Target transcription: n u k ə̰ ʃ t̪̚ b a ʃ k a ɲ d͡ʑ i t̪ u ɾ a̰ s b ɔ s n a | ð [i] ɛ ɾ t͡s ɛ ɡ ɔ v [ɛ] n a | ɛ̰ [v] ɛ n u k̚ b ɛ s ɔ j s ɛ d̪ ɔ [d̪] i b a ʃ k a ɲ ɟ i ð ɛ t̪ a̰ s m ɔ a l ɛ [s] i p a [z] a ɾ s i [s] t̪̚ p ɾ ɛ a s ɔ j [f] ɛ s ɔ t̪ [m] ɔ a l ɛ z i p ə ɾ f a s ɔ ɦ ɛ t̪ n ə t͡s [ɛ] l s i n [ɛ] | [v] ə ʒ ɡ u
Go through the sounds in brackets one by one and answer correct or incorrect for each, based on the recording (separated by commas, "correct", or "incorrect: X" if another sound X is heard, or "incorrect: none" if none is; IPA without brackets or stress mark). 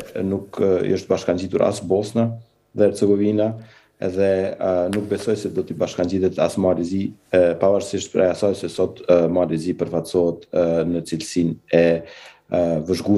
incorrect: ɛ, incorrect: i, incorrect: ð, incorrect: t̪, incorrect: z, incorrect: v, incorrect: ʃ, incorrect: s, correct, incorrect: i, correct, correct